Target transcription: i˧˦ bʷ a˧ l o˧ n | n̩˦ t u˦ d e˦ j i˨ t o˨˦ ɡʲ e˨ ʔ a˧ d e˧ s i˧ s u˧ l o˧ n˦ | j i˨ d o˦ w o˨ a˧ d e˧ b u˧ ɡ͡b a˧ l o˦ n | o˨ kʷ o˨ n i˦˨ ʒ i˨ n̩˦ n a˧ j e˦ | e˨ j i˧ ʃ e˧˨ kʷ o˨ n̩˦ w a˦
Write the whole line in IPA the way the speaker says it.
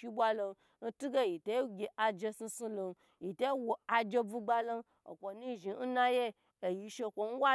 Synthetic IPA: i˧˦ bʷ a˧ l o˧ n | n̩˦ t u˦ ɡ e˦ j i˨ t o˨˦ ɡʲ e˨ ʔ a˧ d͡ʒ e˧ s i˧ s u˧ l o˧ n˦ | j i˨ t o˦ w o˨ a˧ d͡ʒ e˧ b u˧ ɡ͡b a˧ l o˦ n | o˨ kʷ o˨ n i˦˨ ʒ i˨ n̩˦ n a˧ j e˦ | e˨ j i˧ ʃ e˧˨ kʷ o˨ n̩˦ w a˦